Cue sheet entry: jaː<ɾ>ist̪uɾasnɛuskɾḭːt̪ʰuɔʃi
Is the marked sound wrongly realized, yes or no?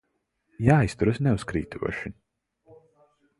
yes